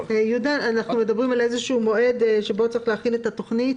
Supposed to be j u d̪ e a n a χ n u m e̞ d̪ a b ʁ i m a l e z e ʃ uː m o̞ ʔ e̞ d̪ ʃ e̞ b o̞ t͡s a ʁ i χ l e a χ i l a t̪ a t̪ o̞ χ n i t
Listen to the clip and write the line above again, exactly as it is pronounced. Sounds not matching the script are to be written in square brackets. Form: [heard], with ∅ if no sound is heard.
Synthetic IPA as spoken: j u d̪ [a] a n a χ n u m e̞ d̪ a b ʁ i m a l e z e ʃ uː m o̞ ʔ e̞ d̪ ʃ e̞ b o̞ t͡s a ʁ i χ l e a χ i l [e] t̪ a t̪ o̞ χ n i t